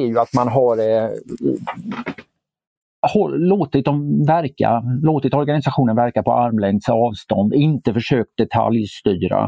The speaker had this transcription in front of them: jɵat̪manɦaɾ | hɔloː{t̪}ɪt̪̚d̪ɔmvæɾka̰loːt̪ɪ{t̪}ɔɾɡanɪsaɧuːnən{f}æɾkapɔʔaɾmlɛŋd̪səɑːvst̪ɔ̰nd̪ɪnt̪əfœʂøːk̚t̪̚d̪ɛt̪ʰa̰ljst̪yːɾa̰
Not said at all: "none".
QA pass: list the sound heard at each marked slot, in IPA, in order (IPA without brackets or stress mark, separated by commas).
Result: t̪, t̪, v